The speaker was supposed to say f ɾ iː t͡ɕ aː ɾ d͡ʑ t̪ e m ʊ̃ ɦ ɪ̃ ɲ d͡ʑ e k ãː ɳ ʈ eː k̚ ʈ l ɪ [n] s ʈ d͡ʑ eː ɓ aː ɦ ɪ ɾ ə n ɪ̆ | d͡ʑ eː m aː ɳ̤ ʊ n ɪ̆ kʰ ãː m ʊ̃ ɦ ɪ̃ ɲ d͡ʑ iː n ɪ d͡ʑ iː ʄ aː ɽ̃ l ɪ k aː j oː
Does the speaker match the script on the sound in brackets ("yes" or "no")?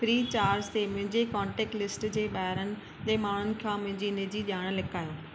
no